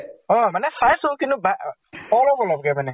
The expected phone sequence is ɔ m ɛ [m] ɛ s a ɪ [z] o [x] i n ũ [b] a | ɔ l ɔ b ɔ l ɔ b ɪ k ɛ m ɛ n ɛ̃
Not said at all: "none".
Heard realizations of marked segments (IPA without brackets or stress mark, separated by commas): n, s, k, b